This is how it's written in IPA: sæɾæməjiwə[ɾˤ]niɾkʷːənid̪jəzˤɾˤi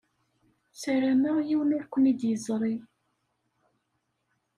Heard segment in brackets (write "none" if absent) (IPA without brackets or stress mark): none